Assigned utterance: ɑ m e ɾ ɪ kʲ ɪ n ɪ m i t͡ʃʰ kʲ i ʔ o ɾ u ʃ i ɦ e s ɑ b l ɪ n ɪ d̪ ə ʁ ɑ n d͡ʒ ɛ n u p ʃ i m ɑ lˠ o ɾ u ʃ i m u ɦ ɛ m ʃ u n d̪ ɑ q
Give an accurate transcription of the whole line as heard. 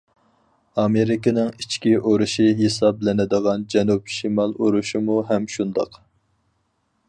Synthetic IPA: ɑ m e ɾ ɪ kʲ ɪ n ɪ ŋ i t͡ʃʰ kʲ i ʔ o ɾ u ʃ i ɦ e s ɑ b l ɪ n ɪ d̪ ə ʁ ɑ n d͡ʒ ɛ n u p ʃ i m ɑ lˠ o ɾ u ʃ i m u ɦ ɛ m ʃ u n d̪ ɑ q